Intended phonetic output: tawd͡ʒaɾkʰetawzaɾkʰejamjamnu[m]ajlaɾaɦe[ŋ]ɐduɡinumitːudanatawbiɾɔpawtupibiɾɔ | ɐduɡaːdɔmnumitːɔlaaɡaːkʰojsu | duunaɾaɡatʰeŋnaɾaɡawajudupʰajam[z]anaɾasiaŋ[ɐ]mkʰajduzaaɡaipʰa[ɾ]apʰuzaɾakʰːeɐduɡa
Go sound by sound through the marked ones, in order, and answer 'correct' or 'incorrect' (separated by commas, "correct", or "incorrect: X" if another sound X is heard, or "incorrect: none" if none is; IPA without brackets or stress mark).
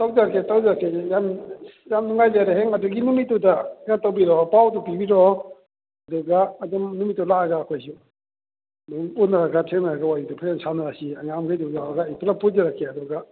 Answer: incorrect: ŋ, correct, incorrect: s, incorrect: a, incorrect: l